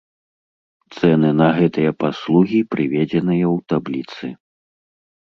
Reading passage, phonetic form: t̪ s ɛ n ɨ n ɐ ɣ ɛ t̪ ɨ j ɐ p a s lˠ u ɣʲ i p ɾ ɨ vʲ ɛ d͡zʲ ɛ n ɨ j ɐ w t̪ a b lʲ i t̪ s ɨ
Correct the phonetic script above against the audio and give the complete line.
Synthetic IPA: t̪ s ɛ n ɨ n ɐ ɣ ɛ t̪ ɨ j ɐ p a s lˠ u ɣʲ i p ɾ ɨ vʲ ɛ d͡zʲ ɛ n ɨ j ɐ w t̪ a b lʲ i t̪ s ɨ

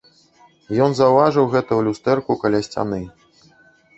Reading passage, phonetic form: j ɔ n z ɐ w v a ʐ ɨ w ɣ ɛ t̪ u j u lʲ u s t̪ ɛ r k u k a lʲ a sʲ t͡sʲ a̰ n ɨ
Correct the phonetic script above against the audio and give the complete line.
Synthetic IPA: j ɔ n z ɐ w v a ʐ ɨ w ɣ ɛ t̪ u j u lʲ u s t̪ ɛ r k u k a lʲ a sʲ t͡sʲ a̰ n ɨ

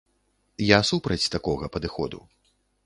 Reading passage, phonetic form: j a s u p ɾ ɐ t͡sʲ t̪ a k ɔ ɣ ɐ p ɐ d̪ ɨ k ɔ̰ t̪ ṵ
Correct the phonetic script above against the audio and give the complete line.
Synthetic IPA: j a s u p ɾ ɐ t͡sʲ t̪ a k ɔ ɣ ɐ p ɐ d̪ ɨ x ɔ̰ d̪ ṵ

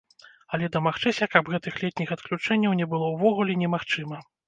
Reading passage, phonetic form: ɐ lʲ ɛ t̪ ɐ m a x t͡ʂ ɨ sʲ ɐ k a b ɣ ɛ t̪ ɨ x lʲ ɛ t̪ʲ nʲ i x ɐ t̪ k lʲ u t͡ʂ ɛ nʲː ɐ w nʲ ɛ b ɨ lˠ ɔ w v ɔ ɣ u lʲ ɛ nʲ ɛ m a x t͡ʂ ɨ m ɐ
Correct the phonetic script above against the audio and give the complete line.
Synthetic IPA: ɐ lʲ ɛ d̪ ɐ m a x t͡ʂ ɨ sʲ ɐ k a b ɣ ɛ t̪ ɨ x lʲ ɛ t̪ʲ nʲ i x ɐ t̪ k lʲ u t͡ʂ ɛ nʲː ɐ w nʲ ɛ b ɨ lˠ ɔ w v ɔ ɣ u lʲ ɛ nʲ ɛ m a x t͡ʂ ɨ m ɐ

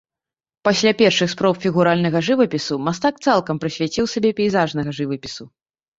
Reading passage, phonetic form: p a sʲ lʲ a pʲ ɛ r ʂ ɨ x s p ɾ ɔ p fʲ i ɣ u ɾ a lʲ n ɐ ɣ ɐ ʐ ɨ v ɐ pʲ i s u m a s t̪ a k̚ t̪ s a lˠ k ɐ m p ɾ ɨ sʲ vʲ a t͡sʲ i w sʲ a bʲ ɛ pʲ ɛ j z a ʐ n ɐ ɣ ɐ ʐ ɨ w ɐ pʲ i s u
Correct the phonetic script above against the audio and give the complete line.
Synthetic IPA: p a sʲ lʲ a pʲ ɛ r ʂ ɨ x s p ɾ ɔ p fʲ i ɣ u ɾ a lʲ n ɐ ɣ ɐ ʐ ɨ v ɐ pʲ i s u m a s t̪ a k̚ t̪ s a lˠ k ɐ m p ɾ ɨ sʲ vʲ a t͡sʲ i w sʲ a bʲ ɛ pʲ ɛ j z a ʐ n ɐ ɣ ɐ ʐ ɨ v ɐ pʲ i s u

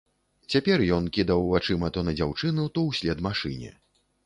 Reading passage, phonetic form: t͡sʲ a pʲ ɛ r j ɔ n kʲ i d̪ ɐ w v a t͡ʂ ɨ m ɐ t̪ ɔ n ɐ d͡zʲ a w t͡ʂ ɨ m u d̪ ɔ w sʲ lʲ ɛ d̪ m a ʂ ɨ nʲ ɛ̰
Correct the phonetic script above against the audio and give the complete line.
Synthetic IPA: t͡sʲ a pʲ ɛ r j ɔ n kʲ i d̪ ɐ w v a t͡ʂ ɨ m ɐ t̪ ɔ n ɐ d͡zʲ a w t͡ʂ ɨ n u t̪ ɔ w sʲ lʲ ɛ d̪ m a ʂ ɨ nʲ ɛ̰

